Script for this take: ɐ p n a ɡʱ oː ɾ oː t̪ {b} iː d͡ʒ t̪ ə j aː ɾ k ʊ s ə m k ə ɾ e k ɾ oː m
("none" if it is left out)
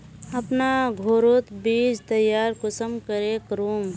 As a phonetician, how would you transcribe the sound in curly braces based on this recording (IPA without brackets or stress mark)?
b